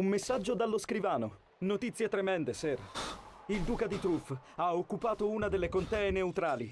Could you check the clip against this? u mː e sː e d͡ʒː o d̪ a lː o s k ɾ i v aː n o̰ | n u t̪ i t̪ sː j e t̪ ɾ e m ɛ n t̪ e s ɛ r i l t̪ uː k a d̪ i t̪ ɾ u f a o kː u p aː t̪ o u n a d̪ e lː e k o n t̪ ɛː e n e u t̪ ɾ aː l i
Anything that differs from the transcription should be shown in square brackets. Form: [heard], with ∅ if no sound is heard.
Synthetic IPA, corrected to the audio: u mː e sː [a] d͡ʒː o d̪ a lː o s k ɾ i v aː n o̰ | n [o] t̪ i t̪ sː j e t̪ ɾ e m ɛ n [d̪] e s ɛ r i l [d̪] uː k a d̪ i t̪ ɾ u f a o kː u p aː t̪ o u n a d̪ e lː e k o n t̪ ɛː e n e u t̪ ɾ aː l i